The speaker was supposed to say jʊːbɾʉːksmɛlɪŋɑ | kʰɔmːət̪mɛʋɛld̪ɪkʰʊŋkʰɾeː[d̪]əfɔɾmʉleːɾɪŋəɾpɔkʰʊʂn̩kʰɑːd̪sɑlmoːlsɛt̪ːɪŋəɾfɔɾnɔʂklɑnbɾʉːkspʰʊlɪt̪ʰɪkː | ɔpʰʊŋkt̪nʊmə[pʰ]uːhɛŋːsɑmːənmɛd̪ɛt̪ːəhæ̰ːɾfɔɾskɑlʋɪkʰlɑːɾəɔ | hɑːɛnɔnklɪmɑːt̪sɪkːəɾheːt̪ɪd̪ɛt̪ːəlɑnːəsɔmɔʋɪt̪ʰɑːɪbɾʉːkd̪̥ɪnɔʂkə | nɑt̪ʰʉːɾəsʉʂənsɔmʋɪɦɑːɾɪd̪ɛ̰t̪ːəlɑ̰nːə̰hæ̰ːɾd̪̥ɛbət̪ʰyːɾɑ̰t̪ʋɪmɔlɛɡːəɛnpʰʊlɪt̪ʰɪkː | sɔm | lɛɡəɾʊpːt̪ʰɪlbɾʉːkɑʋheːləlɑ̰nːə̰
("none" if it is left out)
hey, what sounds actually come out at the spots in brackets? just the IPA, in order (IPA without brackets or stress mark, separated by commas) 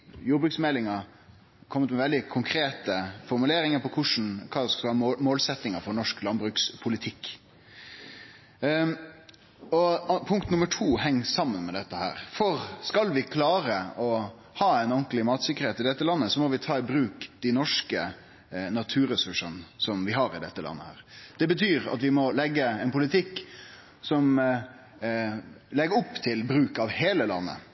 t̪, ʈʰ